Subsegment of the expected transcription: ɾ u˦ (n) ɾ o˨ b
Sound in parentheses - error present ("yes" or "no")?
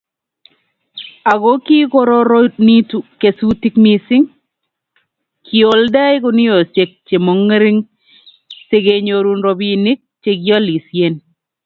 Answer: no